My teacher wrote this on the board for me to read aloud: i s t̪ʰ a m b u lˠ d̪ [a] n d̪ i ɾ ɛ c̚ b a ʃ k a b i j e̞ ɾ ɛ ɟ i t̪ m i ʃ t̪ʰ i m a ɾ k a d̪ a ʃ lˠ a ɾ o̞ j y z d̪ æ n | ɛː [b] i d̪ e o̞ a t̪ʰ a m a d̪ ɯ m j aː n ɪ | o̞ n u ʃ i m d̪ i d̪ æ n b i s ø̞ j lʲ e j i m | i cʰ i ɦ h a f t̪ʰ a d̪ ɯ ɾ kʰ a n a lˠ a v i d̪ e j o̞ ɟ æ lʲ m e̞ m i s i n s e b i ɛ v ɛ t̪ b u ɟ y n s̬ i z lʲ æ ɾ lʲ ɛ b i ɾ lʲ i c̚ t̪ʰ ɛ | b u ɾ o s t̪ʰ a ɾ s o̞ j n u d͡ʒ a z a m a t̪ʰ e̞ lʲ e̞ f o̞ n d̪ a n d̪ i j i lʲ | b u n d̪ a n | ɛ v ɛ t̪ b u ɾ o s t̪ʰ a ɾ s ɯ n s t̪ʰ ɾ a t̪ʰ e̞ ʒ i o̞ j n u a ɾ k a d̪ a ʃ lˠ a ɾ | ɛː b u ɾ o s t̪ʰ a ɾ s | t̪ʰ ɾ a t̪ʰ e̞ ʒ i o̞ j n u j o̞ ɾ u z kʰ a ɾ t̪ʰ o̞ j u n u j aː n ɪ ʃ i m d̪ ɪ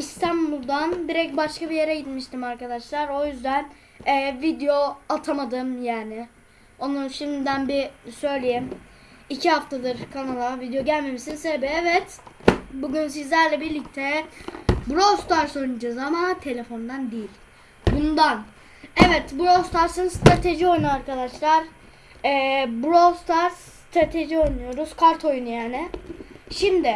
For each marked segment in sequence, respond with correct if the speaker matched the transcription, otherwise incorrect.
correct, incorrect: v

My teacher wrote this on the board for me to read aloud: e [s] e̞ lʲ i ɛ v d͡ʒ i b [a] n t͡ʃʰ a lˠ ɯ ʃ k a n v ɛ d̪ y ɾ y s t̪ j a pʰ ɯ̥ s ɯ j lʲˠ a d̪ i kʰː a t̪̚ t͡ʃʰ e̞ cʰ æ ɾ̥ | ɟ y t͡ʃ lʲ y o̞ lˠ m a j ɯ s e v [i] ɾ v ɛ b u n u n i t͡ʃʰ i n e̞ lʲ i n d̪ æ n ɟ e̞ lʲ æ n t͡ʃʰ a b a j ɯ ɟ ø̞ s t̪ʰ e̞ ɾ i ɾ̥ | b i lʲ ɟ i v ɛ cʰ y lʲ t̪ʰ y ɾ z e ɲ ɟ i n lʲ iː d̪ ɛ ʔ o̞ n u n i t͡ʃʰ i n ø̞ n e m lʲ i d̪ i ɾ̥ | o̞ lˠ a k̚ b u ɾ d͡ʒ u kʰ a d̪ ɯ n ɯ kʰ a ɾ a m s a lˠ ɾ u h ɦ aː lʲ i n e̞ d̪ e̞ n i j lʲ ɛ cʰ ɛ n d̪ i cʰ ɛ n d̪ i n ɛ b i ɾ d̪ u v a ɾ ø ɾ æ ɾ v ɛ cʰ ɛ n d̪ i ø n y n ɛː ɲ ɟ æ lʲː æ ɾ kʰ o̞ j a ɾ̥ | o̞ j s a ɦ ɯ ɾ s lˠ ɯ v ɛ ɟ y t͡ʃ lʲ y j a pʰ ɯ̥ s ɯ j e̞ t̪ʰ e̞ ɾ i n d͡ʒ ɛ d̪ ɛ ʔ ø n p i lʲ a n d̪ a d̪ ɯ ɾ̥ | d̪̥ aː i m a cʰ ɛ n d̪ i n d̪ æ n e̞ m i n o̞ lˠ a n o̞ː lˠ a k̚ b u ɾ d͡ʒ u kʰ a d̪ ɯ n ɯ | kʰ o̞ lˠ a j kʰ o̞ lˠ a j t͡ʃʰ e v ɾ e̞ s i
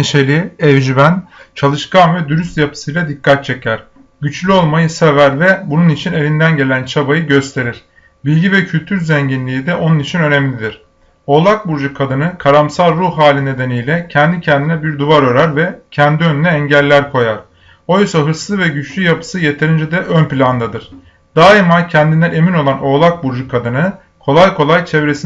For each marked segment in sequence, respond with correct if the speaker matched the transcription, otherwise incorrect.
incorrect: ʃ, incorrect: æ, incorrect: æ

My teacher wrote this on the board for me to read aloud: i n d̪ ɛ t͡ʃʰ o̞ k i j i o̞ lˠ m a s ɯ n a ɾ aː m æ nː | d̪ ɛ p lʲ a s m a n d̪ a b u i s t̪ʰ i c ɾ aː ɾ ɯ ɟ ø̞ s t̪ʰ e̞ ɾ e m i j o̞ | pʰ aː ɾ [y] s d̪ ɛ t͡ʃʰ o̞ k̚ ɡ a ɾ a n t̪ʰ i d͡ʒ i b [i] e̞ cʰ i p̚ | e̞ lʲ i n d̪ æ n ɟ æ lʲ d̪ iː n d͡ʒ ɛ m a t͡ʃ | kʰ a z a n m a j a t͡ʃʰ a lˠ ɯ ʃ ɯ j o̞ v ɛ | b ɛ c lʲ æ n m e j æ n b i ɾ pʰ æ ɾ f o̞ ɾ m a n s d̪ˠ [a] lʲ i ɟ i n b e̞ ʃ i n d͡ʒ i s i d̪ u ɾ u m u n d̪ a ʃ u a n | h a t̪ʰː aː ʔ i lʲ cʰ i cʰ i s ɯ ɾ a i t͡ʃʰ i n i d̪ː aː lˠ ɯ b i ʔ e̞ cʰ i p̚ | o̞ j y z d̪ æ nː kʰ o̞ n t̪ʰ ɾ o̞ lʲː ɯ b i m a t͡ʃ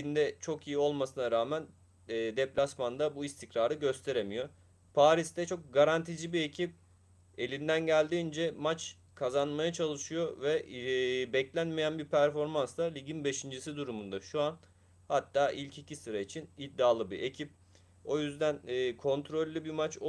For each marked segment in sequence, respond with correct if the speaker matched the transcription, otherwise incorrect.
incorrect: i, correct, correct

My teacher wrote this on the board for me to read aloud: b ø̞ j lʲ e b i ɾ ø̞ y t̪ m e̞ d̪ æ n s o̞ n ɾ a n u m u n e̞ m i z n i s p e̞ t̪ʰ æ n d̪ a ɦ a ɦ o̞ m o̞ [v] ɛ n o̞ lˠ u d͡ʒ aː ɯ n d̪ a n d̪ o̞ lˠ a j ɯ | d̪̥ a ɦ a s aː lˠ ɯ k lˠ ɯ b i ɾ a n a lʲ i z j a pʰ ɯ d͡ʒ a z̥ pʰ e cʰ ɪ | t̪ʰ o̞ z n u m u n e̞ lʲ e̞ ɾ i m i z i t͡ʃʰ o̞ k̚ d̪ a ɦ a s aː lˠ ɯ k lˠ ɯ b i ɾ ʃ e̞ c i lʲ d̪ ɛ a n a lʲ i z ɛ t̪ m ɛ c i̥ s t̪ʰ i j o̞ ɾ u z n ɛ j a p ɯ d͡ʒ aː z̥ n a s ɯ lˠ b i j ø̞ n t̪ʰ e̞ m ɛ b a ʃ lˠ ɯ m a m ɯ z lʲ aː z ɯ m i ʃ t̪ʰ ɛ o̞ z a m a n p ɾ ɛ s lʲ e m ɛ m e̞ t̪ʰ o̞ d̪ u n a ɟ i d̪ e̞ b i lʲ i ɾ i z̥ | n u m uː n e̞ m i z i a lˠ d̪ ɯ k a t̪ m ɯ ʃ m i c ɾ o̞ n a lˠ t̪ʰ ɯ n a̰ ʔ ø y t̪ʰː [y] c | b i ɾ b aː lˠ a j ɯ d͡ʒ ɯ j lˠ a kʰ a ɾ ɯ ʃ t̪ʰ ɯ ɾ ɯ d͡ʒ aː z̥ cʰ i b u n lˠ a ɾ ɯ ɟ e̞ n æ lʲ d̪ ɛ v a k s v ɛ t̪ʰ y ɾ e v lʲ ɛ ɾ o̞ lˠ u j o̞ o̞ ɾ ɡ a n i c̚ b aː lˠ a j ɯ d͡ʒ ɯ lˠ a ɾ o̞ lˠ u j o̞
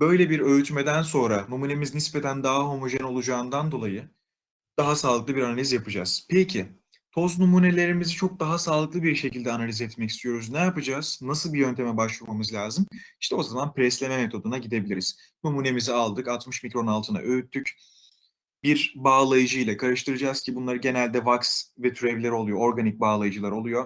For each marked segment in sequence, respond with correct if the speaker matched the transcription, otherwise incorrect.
incorrect: ʒ, correct

